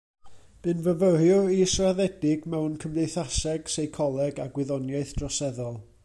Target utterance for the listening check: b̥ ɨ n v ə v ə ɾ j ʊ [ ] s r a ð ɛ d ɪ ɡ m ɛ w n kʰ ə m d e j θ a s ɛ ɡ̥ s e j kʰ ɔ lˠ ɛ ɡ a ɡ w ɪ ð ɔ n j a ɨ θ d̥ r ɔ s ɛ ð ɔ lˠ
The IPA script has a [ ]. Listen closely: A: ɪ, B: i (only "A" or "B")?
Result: B